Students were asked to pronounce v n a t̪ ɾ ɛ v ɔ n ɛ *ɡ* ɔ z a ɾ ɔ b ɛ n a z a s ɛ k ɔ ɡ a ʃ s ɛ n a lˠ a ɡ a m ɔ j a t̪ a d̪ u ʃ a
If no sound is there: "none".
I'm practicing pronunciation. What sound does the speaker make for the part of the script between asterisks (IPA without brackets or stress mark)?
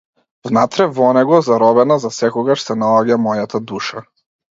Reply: ɡ